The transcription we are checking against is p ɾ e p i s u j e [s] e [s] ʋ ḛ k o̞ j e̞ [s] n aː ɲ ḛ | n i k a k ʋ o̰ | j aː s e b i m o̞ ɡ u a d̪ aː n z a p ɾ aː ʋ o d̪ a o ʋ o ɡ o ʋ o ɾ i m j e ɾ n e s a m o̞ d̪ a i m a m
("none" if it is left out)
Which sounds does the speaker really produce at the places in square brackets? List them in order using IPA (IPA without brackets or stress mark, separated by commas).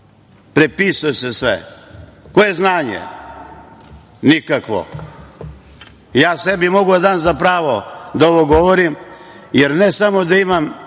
s, s, z